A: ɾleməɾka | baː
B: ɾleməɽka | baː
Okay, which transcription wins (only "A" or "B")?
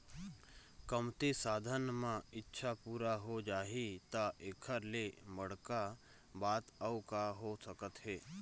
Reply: B